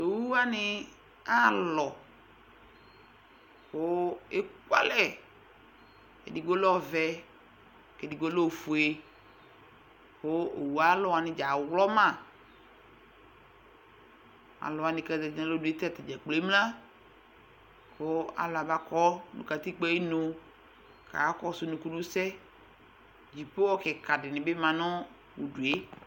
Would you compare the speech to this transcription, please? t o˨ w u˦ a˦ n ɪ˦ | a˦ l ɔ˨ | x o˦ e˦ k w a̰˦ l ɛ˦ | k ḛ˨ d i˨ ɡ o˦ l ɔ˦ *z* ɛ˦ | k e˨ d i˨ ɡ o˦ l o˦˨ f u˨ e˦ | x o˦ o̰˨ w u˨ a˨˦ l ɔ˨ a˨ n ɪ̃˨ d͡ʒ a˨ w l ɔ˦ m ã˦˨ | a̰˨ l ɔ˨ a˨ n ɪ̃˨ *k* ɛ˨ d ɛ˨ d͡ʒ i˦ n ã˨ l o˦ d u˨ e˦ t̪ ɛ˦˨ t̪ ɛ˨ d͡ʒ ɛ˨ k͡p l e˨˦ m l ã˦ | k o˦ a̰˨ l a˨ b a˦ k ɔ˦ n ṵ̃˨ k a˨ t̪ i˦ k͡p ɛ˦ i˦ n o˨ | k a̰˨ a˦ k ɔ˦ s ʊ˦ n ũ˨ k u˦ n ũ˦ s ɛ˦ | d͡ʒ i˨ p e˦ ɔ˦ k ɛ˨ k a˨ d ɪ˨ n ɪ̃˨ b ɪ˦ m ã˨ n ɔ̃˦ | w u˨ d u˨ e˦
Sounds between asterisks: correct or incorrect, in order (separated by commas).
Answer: incorrect, correct